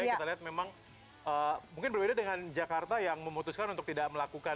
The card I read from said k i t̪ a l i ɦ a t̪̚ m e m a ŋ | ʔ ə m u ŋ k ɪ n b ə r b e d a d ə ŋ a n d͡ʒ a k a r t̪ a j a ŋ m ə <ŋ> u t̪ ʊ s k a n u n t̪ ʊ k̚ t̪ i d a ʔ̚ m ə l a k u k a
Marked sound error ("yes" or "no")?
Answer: yes